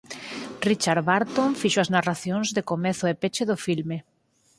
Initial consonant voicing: voiced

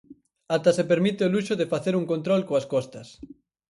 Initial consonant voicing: voiceless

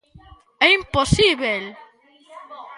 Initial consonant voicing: voiced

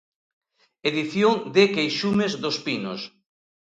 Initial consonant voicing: voiced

